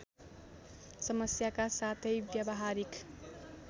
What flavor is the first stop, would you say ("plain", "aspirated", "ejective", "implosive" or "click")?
plain